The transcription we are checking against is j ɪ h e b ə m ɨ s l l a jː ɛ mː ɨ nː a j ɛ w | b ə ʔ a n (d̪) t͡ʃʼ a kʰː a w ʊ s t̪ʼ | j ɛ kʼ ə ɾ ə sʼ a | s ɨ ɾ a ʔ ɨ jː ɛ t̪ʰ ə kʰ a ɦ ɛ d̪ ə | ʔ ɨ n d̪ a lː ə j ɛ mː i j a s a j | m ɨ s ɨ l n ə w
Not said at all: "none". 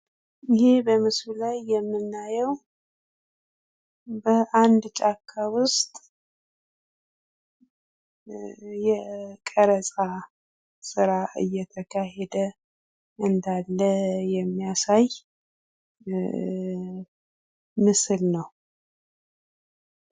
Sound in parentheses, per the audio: d̪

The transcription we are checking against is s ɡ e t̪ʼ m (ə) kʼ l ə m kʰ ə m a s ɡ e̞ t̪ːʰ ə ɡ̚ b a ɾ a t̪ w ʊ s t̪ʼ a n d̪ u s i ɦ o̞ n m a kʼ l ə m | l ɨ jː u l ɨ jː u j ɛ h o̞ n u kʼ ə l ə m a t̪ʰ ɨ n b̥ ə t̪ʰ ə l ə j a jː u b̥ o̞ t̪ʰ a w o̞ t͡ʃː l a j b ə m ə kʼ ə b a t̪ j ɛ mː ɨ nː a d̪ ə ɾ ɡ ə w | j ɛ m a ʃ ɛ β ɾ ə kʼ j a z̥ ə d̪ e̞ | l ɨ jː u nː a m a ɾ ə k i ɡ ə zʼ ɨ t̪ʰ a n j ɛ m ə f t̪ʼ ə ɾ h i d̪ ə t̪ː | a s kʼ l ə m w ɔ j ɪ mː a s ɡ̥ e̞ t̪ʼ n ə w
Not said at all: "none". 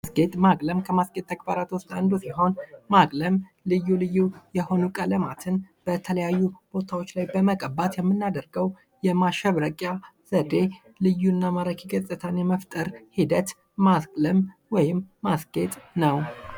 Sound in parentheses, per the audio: a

